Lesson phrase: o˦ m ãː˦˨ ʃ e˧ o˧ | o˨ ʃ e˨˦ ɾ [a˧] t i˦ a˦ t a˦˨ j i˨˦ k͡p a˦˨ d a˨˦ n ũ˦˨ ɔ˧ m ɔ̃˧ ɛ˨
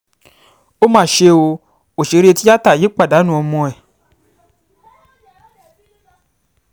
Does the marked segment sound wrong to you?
yes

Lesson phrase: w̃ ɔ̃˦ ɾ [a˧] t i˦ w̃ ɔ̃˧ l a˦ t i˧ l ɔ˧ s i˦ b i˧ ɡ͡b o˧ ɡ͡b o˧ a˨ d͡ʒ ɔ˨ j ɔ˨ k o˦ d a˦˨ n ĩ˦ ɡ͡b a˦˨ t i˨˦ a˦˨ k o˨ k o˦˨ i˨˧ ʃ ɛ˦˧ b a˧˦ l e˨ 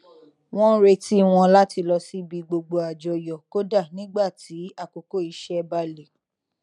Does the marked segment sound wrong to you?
yes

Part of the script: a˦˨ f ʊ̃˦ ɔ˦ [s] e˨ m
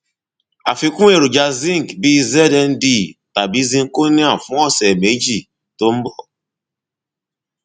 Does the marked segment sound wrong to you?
no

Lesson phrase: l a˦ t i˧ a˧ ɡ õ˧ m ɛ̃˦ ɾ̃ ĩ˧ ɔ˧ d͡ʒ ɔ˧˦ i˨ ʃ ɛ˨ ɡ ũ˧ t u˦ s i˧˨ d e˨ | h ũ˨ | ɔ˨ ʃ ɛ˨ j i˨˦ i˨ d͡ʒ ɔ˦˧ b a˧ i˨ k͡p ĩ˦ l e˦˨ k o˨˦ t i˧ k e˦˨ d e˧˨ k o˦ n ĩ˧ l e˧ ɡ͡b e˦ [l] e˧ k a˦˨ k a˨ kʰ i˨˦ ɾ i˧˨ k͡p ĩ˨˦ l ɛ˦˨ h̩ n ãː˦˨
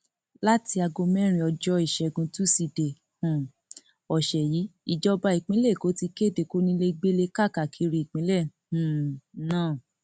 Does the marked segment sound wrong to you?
no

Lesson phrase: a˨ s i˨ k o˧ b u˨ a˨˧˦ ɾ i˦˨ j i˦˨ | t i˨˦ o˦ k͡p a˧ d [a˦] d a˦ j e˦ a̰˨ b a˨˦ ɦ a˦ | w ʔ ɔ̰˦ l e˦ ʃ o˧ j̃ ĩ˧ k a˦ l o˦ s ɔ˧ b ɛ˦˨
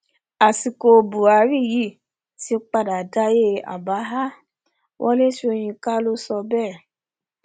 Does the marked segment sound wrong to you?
yes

